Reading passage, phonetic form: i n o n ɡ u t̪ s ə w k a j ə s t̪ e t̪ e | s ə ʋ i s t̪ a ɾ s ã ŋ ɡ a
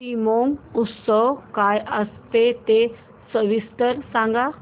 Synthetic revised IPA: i m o ŋ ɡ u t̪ s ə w k a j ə s t̪ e t̪ e | s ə ʋ i s t̪ ə ɾ s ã ŋ ɡ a